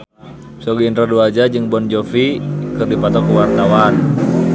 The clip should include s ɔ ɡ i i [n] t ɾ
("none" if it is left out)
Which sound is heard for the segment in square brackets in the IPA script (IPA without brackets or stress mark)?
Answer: n